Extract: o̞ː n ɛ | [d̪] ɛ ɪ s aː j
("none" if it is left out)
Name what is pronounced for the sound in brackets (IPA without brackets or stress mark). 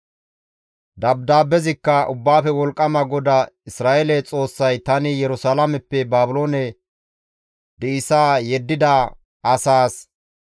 d̪